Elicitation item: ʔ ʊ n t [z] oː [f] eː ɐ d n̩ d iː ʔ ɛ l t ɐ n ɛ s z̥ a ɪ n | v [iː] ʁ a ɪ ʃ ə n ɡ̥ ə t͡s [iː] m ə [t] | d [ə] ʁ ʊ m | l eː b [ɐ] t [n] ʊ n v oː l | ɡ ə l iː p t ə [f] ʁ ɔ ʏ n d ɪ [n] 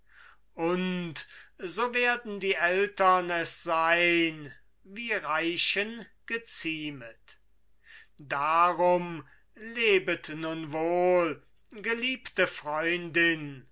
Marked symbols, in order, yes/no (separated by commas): yes, no, yes, yes, yes, no, no, yes, yes, yes